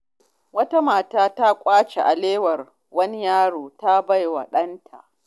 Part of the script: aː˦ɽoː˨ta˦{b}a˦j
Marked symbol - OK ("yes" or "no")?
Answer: yes